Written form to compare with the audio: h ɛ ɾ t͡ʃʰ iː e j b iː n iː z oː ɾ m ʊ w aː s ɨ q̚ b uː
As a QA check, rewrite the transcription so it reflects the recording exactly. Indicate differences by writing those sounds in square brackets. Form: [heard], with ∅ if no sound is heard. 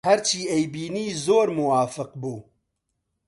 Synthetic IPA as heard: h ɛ ɾ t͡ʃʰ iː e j b iː n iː z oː ɾ m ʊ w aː [f] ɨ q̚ b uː